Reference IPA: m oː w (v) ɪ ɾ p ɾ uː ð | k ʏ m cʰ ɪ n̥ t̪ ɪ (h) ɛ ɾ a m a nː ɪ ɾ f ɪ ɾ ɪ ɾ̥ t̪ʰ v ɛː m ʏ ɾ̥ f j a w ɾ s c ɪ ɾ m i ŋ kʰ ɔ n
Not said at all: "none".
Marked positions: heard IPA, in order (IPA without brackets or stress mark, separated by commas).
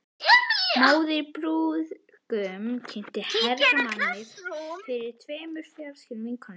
ð, h